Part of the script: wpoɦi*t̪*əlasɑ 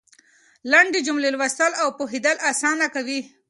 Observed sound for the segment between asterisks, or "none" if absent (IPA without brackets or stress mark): d̪